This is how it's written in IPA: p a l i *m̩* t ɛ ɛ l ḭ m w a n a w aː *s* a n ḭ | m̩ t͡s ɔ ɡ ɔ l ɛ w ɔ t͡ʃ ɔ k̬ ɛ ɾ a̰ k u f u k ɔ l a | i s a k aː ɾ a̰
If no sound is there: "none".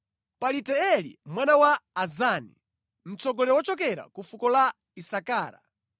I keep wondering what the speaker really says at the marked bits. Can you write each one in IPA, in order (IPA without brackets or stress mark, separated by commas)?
none, z